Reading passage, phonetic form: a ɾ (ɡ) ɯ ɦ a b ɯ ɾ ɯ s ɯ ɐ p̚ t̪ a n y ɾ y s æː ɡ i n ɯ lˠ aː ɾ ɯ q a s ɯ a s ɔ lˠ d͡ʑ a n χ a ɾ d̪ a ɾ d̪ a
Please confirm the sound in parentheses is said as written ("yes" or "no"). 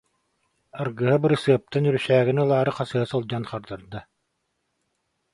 yes